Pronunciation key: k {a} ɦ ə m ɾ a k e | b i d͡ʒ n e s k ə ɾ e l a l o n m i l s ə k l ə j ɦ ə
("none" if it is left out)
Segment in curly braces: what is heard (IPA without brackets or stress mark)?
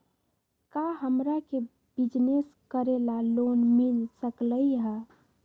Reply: a